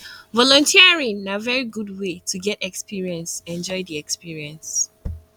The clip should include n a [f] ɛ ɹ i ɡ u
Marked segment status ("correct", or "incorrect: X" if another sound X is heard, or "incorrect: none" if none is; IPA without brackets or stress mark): incorrect: v